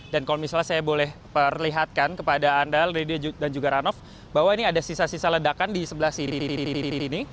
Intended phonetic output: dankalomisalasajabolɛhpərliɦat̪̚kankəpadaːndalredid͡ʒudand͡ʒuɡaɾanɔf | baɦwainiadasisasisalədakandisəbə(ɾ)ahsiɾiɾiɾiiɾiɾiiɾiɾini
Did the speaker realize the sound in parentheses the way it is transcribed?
no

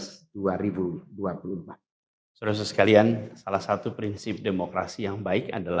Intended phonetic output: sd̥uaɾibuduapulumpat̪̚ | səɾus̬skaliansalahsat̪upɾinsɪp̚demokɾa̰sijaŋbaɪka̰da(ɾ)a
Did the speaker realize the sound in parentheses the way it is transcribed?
no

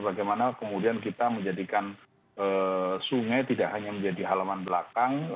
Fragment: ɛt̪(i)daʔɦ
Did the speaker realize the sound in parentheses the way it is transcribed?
yes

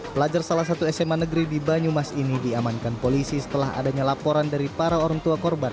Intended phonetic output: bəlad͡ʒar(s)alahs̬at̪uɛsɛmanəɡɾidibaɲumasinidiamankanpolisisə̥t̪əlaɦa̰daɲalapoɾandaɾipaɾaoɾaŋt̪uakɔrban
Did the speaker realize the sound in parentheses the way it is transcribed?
yes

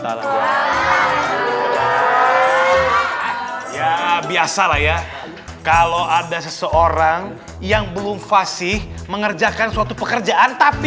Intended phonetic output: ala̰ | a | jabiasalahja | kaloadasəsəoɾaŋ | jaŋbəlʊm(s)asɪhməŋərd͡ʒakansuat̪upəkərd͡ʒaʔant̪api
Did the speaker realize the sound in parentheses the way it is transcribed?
no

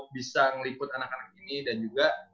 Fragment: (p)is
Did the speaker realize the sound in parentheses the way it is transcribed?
no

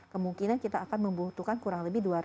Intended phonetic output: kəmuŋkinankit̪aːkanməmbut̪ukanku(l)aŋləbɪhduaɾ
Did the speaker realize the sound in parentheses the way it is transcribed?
no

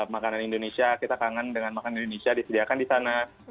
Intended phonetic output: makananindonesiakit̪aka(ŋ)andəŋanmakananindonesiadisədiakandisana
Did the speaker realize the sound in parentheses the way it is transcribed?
yes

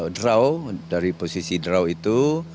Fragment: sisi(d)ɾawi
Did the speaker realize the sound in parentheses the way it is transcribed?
yes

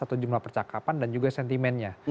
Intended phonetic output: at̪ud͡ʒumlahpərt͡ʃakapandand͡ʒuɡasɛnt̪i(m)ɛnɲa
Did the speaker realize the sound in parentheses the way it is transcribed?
yes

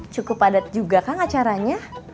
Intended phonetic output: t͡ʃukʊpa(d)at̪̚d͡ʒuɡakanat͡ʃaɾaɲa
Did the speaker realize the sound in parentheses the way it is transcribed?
yes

